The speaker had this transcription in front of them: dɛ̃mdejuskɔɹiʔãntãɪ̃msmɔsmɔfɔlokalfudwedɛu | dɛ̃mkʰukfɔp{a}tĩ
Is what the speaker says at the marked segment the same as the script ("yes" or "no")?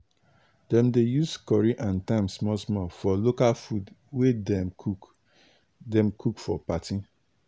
yes